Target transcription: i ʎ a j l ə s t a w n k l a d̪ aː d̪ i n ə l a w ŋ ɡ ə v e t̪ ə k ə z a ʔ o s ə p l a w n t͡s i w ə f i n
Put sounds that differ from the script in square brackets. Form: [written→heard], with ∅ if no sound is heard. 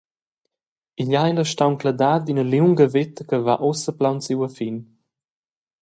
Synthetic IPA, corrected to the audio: i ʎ a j l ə [s→ʃ] t a w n k l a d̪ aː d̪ i n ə l [a→i] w ŋ ɡ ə v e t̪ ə k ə [z→v] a ʔ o s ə p l a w n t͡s i w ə f i n